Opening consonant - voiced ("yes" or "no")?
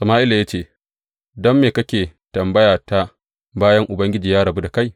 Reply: no